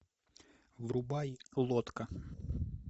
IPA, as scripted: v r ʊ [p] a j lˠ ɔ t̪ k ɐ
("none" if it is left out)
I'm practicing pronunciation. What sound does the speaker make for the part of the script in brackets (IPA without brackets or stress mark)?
b